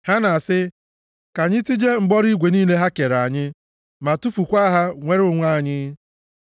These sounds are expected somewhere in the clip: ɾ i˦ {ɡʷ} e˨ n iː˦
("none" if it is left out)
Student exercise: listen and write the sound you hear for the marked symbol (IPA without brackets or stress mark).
ɡʷ